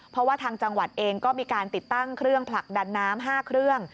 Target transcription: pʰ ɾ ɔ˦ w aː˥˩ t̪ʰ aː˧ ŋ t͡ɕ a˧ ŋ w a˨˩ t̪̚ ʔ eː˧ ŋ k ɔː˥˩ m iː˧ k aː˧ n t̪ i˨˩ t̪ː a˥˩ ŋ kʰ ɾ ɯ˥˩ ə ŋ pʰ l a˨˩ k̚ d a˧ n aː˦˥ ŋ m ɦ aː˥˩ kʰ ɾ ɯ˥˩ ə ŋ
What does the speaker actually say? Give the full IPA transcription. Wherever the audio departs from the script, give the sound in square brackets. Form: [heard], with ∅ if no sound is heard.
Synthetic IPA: pʰ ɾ ɔ˦ w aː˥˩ t̪ʰ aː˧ ŋ t͡ɕ a˧ ŋ w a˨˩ t̪̚ ʔ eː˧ ŋ k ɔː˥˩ m iː˧ k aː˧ n t̪ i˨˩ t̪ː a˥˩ ŋ kʰ ɾ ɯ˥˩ ə ŋ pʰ l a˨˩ k̚ d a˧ [nː] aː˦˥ [∅] m ɦ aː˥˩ kʰ ɾ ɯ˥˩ ə ŋ